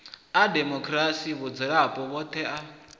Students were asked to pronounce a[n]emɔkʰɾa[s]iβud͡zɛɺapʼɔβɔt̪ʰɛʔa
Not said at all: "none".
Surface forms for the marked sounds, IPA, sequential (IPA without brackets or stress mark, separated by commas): d, s